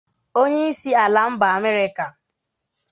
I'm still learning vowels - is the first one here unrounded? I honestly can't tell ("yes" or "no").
no